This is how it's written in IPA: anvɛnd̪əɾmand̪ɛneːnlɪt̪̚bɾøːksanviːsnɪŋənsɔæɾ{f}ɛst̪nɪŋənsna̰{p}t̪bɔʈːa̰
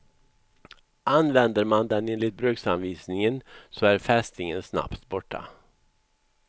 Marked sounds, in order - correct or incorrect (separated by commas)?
correct, correct